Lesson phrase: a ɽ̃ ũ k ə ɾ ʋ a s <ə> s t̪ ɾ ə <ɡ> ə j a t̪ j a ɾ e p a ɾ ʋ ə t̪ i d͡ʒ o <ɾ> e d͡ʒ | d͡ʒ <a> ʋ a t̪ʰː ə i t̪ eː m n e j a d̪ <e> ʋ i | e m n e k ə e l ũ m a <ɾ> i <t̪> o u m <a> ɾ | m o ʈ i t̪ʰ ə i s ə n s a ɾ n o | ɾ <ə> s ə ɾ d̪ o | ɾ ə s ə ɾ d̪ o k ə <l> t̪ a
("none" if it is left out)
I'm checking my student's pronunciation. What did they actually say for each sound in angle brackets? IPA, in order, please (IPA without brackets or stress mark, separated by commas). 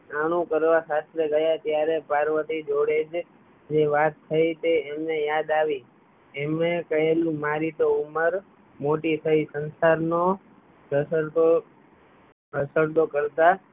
a, ɡ, ɽ, e, a, ɾ, t̪, ə, ə, ɾ